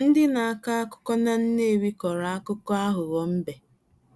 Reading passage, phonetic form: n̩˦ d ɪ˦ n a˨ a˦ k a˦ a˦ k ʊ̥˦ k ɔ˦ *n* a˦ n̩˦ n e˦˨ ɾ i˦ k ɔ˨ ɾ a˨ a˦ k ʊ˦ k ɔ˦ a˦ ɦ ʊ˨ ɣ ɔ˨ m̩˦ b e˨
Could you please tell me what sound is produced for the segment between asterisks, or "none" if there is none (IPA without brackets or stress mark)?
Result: n